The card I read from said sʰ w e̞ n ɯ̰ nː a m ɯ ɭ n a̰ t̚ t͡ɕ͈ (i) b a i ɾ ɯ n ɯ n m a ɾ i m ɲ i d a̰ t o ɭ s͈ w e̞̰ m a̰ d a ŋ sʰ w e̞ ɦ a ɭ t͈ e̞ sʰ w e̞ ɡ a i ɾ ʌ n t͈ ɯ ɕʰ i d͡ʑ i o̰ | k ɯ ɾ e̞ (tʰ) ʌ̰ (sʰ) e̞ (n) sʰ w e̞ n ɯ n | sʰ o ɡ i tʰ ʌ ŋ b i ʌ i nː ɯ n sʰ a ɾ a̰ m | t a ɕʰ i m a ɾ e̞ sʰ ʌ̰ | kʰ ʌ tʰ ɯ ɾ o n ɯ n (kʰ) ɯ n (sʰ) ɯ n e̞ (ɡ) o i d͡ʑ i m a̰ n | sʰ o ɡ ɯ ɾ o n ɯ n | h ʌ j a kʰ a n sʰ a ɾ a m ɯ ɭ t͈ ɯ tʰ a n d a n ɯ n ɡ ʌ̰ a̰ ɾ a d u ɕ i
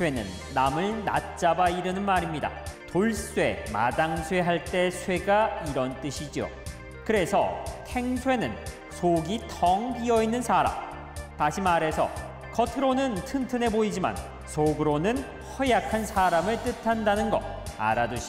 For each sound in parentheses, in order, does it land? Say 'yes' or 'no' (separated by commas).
no, no, no, no, no, no, no